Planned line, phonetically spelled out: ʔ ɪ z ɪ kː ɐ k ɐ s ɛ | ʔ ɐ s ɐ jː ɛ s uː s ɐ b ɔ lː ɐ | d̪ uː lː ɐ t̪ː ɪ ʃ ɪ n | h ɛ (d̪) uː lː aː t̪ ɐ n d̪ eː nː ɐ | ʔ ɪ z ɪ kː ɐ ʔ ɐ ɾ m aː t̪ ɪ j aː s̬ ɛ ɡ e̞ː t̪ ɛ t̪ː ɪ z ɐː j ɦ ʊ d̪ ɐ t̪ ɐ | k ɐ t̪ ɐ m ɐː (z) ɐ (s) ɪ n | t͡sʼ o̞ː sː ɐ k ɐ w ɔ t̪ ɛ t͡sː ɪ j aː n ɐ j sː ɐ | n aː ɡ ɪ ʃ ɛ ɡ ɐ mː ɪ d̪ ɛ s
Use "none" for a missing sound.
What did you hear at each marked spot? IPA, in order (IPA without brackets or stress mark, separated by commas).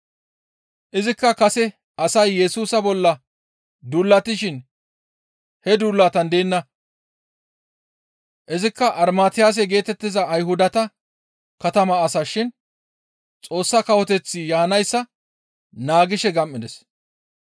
d̪, s, ʃ